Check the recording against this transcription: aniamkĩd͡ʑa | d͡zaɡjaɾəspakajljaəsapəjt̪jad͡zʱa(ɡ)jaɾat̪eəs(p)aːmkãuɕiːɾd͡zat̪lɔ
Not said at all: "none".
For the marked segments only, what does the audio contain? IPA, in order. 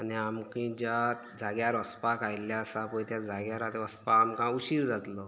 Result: ɡ, p

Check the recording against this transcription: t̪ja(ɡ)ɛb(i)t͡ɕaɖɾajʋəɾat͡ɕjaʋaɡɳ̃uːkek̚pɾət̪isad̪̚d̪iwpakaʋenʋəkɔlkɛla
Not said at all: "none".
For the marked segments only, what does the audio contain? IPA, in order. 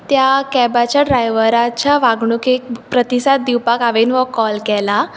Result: k, a

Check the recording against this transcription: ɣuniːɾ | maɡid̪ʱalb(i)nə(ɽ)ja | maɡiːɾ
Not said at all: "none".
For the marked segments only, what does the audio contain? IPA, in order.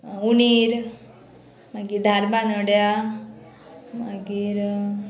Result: a, ɽ

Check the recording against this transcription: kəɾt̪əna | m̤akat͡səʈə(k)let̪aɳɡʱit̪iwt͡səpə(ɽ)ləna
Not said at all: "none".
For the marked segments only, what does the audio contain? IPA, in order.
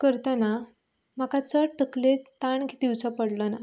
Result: k, ɽ

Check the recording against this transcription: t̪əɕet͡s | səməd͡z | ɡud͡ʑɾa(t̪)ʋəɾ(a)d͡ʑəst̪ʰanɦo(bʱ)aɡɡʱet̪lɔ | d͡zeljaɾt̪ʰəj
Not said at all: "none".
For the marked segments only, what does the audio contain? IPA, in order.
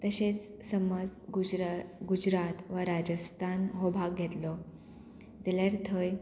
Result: t̪, a, bʱ

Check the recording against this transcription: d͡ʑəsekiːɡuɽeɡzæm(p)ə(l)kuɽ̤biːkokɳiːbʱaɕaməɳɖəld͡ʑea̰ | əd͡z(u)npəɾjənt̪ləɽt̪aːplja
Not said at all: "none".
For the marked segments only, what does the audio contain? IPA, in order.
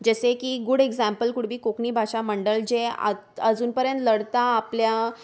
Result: p, l, uː

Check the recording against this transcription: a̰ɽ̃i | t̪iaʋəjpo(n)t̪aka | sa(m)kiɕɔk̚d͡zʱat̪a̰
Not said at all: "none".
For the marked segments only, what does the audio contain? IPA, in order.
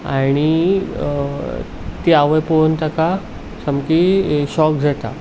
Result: n, m

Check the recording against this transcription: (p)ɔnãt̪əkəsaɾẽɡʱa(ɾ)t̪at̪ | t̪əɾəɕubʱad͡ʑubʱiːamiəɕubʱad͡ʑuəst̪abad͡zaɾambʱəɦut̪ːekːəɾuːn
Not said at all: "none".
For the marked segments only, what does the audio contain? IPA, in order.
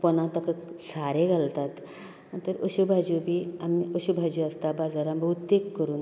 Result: p, l

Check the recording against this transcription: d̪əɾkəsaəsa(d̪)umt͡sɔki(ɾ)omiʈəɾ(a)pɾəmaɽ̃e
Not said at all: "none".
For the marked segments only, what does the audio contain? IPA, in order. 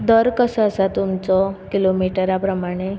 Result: t̪, l, a

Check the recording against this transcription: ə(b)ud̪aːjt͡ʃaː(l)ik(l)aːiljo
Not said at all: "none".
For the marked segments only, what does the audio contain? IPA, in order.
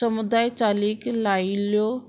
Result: m, l, l

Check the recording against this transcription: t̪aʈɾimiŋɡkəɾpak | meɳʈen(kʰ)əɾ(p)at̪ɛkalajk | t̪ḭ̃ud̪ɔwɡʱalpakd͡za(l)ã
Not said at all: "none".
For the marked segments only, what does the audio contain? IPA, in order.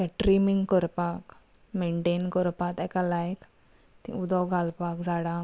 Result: k, p, ɽ

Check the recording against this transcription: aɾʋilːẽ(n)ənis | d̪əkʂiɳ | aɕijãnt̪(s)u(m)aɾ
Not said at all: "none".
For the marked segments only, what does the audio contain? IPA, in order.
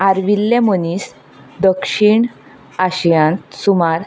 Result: m, s, m

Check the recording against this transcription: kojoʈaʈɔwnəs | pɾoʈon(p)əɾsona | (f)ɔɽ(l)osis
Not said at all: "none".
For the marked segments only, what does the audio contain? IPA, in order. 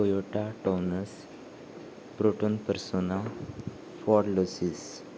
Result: p, f, l

